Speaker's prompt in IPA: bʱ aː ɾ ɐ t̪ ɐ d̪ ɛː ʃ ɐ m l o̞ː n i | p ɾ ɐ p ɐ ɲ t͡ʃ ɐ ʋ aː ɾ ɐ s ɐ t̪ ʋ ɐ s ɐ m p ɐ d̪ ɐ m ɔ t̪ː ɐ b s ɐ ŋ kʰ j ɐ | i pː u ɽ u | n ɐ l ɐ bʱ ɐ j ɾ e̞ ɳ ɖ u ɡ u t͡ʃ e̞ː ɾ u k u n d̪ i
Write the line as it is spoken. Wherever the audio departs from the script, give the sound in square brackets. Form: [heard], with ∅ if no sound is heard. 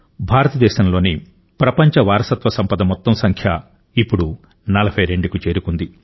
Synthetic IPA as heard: bʱ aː ɾ ɐ t̪ ɐ d̪ ɛː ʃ ɐ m l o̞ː n i | p ɾ ɐ p ɐ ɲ t͡ʃ ɐ ʋ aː ɾ ɐ s ɐ t̪ ʋ ɐ s ɐ m p ɐ d̪ ɐ m ɔ t̪ː ɐ [m] s ɐ ŋ kʰ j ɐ | i pː u ɽ u | n ɐ l ɐ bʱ ɐ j ɾ e̞ ɳ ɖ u [k] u t͡ʃ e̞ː ɾ u k u n d̪ i